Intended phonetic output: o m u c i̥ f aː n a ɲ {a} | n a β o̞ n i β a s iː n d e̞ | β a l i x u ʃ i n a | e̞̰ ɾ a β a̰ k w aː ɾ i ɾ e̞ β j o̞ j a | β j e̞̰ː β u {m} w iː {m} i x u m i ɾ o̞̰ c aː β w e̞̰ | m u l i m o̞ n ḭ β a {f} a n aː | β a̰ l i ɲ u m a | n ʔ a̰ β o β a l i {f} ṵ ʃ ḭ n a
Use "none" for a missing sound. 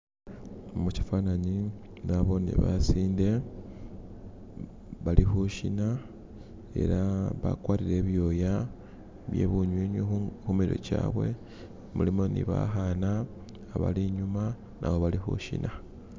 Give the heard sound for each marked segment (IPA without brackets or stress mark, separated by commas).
i, ɲ, ɲ, x, x